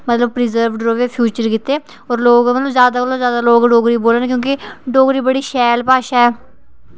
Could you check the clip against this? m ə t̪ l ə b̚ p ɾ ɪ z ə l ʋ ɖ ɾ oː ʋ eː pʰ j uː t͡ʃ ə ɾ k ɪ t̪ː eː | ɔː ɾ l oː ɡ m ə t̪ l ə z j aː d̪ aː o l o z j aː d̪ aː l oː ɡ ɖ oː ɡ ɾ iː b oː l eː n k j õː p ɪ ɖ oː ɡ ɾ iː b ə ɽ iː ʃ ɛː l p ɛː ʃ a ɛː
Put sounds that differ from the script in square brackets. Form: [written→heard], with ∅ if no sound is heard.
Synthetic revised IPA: m ə t̪ l ə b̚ p ɾ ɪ z ə [l→ɾ] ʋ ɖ ɾ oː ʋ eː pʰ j uː t͡ʃ ə ɾ k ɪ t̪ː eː | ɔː ɾ l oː ɡ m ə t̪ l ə z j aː d̪ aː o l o z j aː d̪ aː l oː ɡ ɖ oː ɡ ɾ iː b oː l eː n k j õː [p→k] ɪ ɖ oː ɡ ɾ iː b ə ɽ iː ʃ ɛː l p [ɛː→aː] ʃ a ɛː